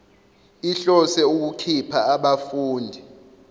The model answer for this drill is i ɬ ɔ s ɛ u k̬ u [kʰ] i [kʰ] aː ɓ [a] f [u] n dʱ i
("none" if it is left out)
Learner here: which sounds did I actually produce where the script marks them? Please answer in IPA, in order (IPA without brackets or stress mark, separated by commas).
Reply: kʰ, pʰ, a, uː